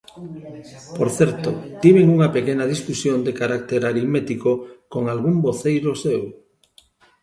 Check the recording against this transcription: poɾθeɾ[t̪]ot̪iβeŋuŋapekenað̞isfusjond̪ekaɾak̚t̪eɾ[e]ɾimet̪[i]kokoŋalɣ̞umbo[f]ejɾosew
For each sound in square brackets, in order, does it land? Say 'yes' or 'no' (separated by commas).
yes, no, yes, no